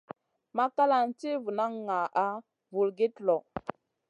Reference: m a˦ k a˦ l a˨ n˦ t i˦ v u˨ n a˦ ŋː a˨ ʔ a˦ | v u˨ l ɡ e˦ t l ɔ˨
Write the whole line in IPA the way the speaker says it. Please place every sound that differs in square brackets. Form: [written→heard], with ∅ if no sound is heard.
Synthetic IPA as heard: m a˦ k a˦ l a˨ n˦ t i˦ v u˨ n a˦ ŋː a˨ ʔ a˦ | v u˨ l ɡ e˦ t l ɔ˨